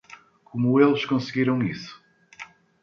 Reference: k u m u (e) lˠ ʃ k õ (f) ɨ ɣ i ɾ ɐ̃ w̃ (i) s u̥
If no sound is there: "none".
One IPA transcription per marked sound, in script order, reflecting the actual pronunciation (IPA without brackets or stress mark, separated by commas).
e, s, i